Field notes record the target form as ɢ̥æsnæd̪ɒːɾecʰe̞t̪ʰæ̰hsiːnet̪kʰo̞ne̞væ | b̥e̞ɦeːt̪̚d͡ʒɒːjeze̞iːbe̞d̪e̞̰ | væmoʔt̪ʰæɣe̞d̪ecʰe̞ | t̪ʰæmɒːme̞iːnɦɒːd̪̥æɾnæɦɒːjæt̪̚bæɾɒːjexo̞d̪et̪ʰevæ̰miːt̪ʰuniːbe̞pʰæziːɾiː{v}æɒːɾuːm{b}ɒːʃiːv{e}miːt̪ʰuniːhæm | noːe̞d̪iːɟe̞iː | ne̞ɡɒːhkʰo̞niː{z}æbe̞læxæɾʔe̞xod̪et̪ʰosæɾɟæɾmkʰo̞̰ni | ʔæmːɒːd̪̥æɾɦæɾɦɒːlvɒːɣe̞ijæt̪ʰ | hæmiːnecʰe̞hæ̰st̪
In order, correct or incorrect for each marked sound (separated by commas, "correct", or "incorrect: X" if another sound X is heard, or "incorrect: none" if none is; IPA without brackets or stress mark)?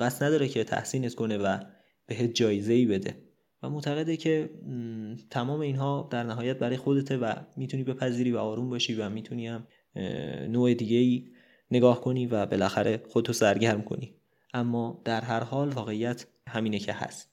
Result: correct, correct, incorrect: æ, incorrect: v